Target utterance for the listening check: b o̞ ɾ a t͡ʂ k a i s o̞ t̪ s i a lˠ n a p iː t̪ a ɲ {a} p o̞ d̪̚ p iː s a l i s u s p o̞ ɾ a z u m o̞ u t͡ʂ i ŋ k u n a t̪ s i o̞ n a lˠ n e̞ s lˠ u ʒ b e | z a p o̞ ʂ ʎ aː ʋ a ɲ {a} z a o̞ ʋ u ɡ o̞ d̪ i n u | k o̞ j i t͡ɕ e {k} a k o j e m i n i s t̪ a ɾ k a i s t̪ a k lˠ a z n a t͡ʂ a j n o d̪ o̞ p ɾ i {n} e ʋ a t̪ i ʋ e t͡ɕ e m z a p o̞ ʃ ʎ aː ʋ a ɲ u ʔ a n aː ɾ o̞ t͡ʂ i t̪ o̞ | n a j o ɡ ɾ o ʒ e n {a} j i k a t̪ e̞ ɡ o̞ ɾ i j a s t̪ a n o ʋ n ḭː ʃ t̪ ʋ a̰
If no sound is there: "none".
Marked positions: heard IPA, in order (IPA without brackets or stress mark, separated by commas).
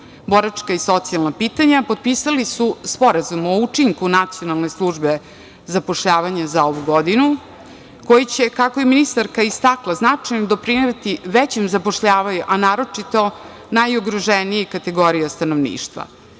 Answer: a, a, k, n, i